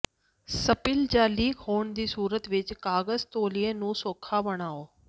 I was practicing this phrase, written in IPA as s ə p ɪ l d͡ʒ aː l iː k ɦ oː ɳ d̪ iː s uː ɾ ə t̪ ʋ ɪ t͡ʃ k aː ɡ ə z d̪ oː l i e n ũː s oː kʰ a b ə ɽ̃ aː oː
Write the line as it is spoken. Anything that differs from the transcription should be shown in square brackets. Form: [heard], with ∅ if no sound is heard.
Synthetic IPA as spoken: s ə p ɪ l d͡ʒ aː l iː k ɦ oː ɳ d̪ iː s uː ɾ ə t̪ ʋ ɪ t͡ʃ k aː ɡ ə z [t̪] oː l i e n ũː s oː kʰ a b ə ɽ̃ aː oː